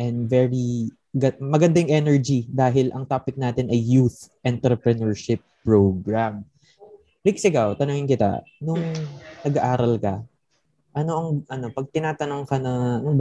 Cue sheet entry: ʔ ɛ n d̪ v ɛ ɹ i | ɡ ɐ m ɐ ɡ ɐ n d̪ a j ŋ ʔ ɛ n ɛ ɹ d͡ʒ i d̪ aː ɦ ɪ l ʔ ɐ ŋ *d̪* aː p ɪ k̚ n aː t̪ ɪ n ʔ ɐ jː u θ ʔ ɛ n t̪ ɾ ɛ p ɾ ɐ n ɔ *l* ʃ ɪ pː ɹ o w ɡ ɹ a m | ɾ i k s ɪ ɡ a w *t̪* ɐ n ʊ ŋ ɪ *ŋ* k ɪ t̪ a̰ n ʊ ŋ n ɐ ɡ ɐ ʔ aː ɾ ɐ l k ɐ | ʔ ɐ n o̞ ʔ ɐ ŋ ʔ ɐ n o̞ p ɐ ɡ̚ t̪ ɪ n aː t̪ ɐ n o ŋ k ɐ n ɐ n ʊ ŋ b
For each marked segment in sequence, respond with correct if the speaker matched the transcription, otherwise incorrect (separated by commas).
incorrect, incorrect, correct, incorrect